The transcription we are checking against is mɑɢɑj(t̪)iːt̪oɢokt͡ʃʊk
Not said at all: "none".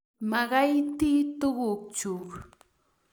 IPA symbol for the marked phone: t̪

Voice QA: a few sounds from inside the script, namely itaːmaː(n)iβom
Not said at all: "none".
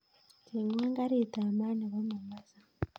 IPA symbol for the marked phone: n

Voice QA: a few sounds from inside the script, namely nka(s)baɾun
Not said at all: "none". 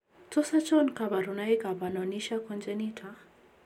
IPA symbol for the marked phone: none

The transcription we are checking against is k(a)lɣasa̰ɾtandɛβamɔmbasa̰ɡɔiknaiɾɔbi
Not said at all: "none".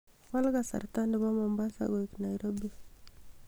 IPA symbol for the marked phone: a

